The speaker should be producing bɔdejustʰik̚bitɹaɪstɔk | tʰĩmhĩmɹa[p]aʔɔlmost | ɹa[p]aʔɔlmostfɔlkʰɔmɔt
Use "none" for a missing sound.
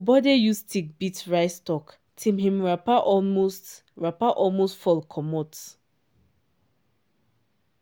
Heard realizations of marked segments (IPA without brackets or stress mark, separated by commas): p, p